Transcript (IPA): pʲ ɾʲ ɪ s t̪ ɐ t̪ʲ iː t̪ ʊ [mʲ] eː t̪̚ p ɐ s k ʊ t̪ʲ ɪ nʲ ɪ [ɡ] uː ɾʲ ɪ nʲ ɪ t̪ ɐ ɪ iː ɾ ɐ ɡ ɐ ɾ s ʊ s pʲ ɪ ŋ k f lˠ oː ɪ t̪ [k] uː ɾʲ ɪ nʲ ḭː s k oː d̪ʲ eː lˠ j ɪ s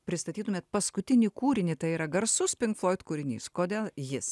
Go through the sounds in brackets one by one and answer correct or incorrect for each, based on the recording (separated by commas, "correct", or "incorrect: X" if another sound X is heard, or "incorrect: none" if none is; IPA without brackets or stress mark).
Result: correct, incorrect: k, correct